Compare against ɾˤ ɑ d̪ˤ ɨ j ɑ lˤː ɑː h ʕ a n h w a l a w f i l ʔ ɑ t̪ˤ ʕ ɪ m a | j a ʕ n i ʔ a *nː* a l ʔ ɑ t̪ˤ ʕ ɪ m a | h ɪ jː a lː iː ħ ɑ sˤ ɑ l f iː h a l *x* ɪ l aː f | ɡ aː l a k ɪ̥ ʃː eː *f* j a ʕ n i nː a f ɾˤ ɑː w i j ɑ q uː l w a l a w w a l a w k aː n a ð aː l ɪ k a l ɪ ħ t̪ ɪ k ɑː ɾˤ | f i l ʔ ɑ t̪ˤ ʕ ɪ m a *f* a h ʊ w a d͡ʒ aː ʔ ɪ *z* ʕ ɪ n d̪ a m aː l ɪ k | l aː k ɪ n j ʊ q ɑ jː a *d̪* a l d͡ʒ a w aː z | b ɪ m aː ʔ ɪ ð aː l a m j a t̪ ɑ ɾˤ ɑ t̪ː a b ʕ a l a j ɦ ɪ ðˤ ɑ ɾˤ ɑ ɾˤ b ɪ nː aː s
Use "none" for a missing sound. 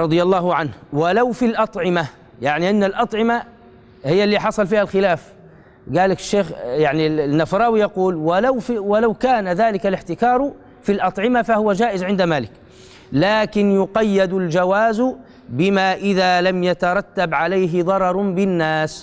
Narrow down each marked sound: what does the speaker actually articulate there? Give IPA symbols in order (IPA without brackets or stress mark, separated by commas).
nː, x, x, f, z, d̪